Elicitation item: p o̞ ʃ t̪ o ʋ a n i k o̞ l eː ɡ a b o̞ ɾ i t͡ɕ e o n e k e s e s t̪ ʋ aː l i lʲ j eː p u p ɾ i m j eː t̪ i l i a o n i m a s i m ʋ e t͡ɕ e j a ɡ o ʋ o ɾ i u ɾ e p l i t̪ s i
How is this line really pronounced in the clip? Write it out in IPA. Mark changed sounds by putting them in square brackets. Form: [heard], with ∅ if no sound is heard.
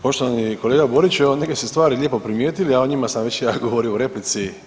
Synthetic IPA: p o̞ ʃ t̪ o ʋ a n i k o̞ l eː ɡ a b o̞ ɾ i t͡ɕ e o n e k e s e s t̪ ʋ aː [ɾ] i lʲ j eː p [o] p ɾ i m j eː t̪ i l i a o [ɲ] i m a s [a] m ʋ e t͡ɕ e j a ɡ o ʋ o ɾ i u ɾ e p l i t̪ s i